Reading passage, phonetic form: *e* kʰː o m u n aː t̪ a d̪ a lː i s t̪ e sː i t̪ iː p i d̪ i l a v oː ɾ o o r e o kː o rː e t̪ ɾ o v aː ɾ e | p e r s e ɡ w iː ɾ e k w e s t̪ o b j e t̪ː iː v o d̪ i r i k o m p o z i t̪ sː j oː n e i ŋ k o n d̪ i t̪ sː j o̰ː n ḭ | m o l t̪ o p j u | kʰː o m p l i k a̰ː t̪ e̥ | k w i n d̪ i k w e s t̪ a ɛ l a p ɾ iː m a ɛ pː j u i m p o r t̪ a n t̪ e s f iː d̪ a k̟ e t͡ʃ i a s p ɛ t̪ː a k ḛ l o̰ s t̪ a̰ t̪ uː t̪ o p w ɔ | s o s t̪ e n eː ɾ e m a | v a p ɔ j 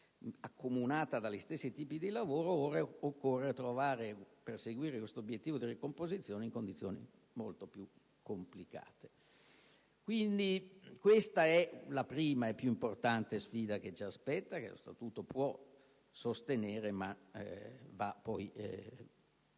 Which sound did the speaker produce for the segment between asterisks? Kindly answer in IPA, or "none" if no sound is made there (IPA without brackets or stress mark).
a